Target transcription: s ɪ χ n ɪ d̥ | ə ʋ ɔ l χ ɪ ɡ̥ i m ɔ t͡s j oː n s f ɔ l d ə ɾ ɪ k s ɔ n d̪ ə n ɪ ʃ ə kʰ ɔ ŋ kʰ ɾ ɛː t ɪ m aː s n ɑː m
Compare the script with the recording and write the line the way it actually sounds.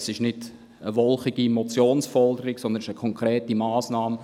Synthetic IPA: s ɪ ʃ n ɪ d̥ | ə ʋ ɔ l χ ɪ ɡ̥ i m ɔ t͡s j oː n s f ɔ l d ə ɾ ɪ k s ɔ n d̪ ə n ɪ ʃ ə kʰ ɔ ŋ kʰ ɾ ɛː t i m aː s n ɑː m